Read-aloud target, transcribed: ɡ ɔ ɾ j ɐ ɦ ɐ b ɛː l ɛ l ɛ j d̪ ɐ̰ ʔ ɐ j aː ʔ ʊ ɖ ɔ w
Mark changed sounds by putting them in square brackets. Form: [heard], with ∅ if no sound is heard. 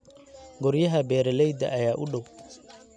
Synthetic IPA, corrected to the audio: ɡ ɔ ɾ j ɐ ɦ ɐ b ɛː [ɾ] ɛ l ɛ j d̪ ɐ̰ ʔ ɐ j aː ʔ ʊ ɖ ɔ w